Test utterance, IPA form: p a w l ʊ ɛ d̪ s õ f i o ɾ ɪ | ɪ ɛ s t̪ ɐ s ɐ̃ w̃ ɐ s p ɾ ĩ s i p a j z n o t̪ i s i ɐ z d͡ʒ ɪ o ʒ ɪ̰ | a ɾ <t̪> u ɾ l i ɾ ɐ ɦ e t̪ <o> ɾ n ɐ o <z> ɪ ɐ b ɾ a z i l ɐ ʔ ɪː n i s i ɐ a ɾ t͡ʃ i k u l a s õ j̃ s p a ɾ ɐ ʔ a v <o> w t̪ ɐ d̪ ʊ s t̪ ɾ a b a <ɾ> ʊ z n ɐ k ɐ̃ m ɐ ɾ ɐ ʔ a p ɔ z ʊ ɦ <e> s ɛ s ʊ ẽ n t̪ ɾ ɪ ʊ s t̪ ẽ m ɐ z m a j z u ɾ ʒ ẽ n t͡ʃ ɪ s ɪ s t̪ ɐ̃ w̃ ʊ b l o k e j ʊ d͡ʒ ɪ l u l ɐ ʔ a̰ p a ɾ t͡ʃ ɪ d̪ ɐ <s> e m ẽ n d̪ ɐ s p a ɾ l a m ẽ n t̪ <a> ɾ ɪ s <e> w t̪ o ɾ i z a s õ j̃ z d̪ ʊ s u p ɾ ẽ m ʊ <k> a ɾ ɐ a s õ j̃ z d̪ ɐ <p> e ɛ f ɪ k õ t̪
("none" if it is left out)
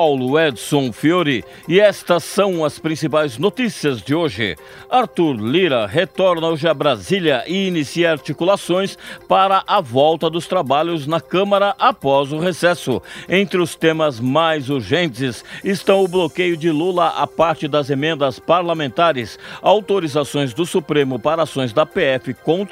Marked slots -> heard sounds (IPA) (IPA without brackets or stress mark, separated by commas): t̪, ɔ, ʒ, ɔ, ʎ, e, z, a, a, p, p